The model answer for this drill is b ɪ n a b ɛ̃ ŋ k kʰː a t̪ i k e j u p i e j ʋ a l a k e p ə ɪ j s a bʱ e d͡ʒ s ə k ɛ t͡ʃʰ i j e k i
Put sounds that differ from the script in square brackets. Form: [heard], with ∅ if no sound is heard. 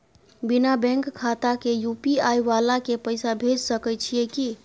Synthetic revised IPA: b [i] n a b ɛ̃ ŋ k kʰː a t̪ [a] k e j u p i [a] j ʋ a l a k e p ə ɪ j s a bʱ e d͡ʒ s ə k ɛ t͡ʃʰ i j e k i

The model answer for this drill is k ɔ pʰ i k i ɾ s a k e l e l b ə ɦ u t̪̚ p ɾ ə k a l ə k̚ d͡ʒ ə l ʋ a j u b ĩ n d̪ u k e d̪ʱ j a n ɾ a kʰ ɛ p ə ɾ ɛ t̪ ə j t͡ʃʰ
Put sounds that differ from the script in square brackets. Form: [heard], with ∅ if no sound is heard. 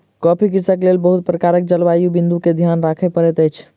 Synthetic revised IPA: k ɔ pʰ i k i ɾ s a k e l e l b ə ɦ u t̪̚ p ɾ ə k a [ɾ] ə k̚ d͡ʒ ə l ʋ a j u b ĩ n d̪ u k e d̪ʱ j a n ɾ a kʰ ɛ p ə ɾ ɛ t̪ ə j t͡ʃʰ

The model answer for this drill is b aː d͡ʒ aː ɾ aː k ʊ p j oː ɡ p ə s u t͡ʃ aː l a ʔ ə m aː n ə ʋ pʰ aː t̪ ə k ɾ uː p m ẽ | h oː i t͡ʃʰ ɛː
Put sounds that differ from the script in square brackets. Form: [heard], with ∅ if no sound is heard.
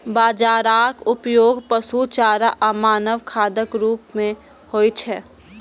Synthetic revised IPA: b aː d͡ʒ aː ɾ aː k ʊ p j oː ɡ p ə s u t͡ʃ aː [ɾ] a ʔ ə m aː n ə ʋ [kʰ] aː [d̪] ə k ɾ uː p m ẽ | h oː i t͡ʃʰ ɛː

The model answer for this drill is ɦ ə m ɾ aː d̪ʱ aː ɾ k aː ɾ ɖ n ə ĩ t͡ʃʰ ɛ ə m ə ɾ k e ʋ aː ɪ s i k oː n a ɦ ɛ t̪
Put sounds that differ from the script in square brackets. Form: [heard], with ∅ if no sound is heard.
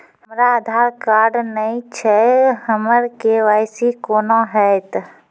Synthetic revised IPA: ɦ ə m ɾ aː d̪ʱ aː ɾ k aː ɾ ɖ n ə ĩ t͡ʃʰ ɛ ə m ə ɾ k e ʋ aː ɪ s i k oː n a ɦ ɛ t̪

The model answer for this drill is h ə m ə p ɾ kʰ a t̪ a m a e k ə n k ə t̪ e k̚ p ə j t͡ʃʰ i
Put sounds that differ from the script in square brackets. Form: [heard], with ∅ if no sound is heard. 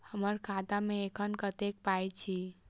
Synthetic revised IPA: h ə m ə [∅] ɾ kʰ a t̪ a m [e] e [kʰ] ə n k ə t̪ e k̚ p [a] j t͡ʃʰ i

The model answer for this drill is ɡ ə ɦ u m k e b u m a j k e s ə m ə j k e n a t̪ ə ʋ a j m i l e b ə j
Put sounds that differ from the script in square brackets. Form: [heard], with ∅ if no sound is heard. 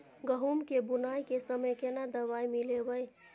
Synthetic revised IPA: ɡ ə ɦ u m k e b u [n] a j k e s ə m ə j k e n a [d̪] ə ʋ a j m i l e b ə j

